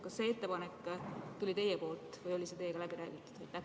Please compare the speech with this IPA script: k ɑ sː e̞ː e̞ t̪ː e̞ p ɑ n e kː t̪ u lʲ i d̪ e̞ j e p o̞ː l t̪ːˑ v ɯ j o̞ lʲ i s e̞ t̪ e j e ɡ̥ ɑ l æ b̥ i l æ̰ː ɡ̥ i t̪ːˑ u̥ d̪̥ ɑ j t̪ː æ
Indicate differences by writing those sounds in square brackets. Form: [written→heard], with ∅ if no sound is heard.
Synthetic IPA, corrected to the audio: k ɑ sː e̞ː e̞ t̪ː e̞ p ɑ n e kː t̪ u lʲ i [d̪→t̪] e̞ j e p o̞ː l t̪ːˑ v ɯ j o̞ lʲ i s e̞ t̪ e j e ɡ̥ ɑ l æ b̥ i [l→ɾ] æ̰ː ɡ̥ i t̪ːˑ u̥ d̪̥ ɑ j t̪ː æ

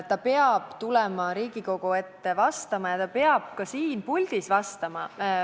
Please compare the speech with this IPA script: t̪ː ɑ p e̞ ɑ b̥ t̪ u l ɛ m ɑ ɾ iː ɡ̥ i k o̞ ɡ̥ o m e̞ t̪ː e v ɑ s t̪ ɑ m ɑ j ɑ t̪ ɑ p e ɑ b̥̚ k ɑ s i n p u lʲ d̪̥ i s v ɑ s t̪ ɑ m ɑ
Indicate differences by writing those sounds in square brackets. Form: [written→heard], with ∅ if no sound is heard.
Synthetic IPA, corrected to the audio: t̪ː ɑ p e̞ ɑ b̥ t̪ u l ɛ m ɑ ɾ iː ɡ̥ i k o̞ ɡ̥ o [m→∅] e̞ t̪ː e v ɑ s t̪ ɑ m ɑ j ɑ t̪ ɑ p e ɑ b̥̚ k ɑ s [i→iː] n p u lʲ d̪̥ i s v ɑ s t̪ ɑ m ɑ

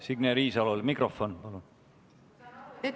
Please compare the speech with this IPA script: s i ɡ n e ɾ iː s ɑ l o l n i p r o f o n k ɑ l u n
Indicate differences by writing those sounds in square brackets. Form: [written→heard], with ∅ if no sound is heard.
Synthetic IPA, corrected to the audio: s i ɡ n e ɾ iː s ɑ l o l [n→m] i [p→k] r o f o n [k→p] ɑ l u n

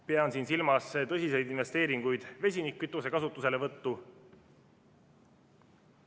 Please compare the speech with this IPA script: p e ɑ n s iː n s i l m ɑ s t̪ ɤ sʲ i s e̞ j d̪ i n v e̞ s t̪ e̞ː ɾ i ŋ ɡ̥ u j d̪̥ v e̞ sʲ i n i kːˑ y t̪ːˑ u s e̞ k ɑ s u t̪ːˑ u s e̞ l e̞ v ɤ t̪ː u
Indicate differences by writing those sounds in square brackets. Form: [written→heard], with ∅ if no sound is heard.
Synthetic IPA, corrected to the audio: p e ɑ n s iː n s i l m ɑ s t̪ ɤ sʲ i s e̞ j d̪ i n v e̞ s t̪ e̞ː ɾ i ŋ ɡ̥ u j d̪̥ v e̞ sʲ i n i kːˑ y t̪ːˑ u s e̞ k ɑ s u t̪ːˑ u s e̞ l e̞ v ɤ t̪ː u

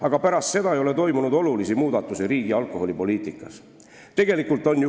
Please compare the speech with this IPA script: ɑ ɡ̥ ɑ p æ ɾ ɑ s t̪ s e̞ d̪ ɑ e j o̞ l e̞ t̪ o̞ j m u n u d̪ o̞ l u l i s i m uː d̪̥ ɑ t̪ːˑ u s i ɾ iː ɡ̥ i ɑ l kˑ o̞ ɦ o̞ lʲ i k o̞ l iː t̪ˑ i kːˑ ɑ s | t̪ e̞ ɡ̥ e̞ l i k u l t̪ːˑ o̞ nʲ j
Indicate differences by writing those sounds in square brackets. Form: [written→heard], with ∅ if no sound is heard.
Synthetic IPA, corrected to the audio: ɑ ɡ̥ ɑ p æ ɾ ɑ s t̪ s e̞ d̪ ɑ e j o̞ l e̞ t̪ o̞ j m u n u d̪ o̞ l u l i s i m uː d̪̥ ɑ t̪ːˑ u s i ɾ iː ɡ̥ i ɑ l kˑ o̞ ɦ o̞ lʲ i [k→p] o̞ l iː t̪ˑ i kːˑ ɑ s | t̪ e̞ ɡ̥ e̞ l i k u l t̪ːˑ o̞ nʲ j

